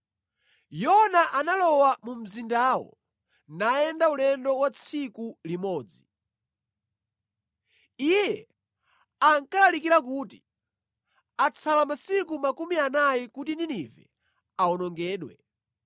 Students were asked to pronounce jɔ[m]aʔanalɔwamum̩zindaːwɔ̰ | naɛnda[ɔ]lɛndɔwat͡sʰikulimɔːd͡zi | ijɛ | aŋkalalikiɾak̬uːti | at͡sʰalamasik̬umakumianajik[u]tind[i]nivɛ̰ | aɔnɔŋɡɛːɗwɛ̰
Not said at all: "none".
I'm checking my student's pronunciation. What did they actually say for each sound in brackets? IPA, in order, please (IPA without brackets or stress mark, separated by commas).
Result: n, u, u, i